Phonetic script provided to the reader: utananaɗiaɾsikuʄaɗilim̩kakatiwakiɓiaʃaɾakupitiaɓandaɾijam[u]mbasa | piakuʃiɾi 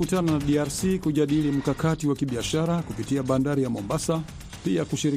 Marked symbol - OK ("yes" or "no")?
no